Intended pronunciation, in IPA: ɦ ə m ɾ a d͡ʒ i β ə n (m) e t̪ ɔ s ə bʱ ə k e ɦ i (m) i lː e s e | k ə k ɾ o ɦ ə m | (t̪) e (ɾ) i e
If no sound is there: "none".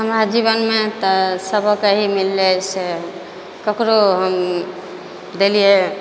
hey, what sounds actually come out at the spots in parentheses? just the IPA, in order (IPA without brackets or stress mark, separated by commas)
m, m, d̪, l